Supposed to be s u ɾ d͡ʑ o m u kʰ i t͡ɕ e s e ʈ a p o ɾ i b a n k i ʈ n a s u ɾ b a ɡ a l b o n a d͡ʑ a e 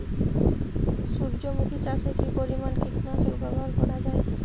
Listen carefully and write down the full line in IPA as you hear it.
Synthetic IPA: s u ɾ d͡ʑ o m u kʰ i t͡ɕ a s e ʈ i p o ɾ i m a n k i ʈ n a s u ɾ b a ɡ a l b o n a d͡ʑ a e

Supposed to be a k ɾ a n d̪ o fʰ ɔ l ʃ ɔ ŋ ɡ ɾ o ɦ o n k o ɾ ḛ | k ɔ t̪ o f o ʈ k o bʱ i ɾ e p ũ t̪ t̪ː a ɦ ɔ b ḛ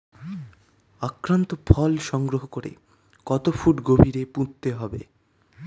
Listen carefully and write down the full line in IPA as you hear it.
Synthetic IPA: a k ɾ a n t̪ o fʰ ɔ l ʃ ɔ ŋ ɡ ɾ o ɦ o k o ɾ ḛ | k ɔ t̪ o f u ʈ ɡ o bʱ i ɾ e p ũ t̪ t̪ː e ɦ ɔ b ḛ

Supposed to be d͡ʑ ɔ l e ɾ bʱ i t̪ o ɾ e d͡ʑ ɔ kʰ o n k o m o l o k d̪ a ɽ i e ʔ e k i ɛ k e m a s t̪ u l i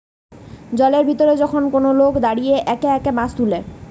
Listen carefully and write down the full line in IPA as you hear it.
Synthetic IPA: d͡ʑ ɔ l e ɾ bʱ i t̪ o ɾ e d͡ʑ ɔ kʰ o n k o n o l o k d̪ a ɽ i e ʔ ɛ k e ɛ k e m a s t̪ u l e

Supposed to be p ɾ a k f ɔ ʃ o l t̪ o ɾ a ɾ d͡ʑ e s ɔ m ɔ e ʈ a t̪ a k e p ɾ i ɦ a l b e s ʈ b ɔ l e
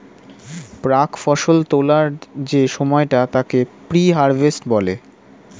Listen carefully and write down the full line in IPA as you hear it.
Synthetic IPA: p ɾ a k f ɔ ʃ o l t̪ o l a ɾ d͡ʑ e ʃ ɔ m ɔ e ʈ a t̪ a k e p ɾ i ɦ a ɾ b e s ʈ b ɔ l e

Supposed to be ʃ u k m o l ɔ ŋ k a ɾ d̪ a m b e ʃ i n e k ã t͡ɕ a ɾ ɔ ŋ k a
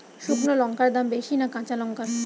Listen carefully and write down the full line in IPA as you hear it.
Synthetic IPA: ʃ u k n o l ɔ ŋ k a ɾ d̪ a m b e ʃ i n a k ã t͡ɕ a l ɔ ŋ k a

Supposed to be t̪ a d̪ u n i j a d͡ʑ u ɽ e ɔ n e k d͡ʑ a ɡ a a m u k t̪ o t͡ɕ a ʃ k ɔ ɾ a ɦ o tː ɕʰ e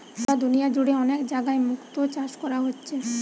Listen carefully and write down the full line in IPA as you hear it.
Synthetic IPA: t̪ a d̪ u n i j a d͡ʑ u ɽ e ɔ n e k d͡ʑ a ɡ a e m u k t̪ o t͡ɕ a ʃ k ɔ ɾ a ɦ o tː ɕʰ e

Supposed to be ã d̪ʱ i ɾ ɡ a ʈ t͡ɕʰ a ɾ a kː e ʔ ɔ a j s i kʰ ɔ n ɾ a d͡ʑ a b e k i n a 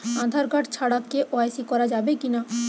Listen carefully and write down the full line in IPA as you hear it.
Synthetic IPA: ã d̪ʱ a ɾ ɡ a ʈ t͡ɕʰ a ɽ a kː e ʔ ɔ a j s i k ɔ ɾ a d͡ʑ a b e k i n a

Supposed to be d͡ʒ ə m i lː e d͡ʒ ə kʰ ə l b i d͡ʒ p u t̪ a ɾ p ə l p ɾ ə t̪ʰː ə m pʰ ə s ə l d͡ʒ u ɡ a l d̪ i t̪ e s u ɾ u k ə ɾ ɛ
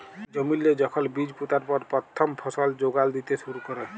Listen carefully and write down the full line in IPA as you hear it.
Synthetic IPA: d͡ʒ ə m i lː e d͡ʒ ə kʰ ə l b i d͡ʒ p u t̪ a ɾ p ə ɾ p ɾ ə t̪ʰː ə m pʰ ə s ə l d͡ʒ o ɡ a l d̪ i t̪ e s u ɾ u k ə ɾ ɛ

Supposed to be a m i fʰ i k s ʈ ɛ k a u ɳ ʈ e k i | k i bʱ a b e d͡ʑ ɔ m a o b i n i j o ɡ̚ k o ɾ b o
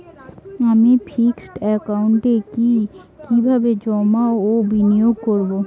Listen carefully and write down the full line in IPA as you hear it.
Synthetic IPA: a m i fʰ i k s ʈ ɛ k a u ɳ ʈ e k i | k i bʱ a b e d͡ʑ ɔ m a o b i n i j o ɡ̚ k o ɾ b o

